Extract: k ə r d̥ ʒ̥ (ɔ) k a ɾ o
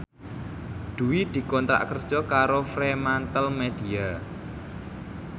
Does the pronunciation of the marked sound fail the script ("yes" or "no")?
no